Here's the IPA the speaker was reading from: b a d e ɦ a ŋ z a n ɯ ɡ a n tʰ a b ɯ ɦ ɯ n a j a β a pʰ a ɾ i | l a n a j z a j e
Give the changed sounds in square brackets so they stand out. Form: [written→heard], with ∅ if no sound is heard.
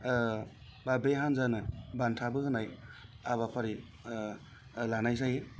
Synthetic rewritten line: b a [d→b] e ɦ a [ŋ→n] z a n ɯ [ɡ→b] a n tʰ a b ɯ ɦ ɯ n a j a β a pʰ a ɾ i | l a n a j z a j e